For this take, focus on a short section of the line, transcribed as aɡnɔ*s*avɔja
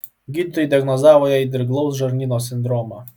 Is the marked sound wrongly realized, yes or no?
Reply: yes